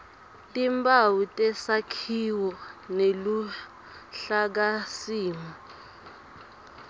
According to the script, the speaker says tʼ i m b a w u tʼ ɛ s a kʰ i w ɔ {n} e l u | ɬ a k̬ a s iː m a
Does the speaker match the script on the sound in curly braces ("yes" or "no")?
yes